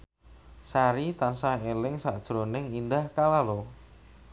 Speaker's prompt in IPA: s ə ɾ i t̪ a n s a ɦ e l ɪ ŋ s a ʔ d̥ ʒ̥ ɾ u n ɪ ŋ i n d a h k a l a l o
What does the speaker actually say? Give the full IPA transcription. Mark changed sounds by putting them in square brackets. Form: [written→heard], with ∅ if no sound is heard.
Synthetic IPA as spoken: s [ə→a] ɾ i t̪ a n s a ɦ e l ɪ ŋ s a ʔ d̥ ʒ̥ ɾ [u→o] n ɪ ŋ i n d a h k a l a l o